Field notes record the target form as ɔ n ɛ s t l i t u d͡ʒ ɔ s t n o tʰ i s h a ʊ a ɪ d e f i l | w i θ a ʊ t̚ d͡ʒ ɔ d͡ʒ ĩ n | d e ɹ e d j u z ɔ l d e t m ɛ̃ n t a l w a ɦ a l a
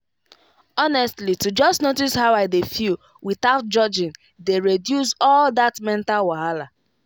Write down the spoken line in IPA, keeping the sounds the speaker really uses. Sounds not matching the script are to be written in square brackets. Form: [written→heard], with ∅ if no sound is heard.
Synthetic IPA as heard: ɔ n ɛ s t l i t u d͡ʒ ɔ s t n o [tʰ→t] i s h a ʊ a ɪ d e f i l | w i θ a ʊ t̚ d͡ʒ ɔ d͡ʒ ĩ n | d e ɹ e d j u [z→s] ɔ l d [e→a] t m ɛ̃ n t a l w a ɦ a l a